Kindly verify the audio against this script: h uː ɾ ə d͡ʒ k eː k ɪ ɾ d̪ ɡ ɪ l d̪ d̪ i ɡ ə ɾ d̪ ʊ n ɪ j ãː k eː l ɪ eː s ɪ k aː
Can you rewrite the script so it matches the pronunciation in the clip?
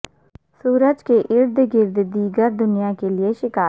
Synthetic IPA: s uː ɾ ə d͡ʒ k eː ʔ ɪ ɾ d̪ ɡ ɪ ɾ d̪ d̪ iː ɡ ə ɾ d̪ ʊ n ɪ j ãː k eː l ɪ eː ʃ ɪ k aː